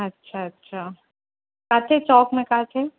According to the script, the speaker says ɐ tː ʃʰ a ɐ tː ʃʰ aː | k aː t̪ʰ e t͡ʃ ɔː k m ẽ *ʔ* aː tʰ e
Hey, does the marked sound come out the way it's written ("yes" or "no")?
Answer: no